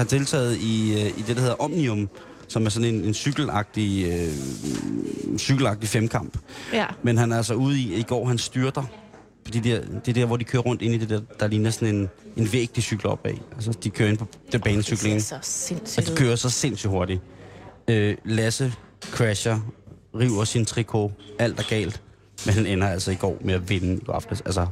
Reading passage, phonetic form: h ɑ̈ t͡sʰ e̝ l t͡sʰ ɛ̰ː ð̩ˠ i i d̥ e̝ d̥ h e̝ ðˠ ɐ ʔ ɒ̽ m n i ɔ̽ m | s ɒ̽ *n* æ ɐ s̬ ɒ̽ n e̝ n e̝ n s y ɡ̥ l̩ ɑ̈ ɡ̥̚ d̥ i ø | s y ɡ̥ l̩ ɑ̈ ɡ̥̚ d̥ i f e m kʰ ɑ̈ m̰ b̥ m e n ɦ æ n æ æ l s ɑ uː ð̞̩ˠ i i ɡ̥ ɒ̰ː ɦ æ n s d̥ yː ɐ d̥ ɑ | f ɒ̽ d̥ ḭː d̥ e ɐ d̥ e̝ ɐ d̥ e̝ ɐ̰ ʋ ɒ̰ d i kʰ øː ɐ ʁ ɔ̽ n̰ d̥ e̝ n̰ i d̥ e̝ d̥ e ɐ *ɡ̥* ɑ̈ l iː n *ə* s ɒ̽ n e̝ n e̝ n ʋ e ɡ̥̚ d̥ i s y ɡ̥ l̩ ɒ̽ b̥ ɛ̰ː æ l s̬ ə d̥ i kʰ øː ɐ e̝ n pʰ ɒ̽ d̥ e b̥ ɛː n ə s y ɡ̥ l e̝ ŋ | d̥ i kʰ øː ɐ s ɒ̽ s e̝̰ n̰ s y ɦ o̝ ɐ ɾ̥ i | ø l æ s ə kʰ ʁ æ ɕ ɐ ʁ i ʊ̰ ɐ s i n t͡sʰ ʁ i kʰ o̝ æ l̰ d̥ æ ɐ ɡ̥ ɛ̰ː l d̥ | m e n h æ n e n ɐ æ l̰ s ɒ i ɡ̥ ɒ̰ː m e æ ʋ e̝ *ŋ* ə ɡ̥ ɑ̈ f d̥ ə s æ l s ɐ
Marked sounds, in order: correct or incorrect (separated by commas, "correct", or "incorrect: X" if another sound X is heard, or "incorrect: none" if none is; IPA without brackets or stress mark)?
incorrect: m, incorrect: d̥, incorrect: ɐ, incorrect: n